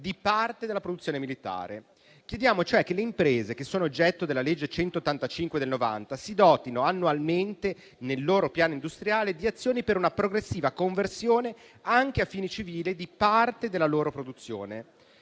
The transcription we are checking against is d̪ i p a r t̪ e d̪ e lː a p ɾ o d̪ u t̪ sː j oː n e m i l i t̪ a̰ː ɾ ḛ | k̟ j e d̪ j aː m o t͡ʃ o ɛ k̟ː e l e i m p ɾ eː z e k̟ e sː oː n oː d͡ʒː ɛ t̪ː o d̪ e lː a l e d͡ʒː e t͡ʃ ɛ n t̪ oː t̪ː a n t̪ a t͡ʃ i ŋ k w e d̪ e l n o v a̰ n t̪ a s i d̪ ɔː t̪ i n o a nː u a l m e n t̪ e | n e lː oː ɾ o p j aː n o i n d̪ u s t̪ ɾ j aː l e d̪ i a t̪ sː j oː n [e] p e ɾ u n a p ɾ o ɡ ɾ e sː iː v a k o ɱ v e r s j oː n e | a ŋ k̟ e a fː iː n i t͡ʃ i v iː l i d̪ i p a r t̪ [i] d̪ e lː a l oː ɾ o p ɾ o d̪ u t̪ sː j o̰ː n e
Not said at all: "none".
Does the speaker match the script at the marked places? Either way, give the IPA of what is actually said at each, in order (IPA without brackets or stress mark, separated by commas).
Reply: i, e